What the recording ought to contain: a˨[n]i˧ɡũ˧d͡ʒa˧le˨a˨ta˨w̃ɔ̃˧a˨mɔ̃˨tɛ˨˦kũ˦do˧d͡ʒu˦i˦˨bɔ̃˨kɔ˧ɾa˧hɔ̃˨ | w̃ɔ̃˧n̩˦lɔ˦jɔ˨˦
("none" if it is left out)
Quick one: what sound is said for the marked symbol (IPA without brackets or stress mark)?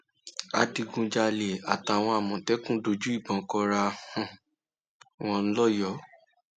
d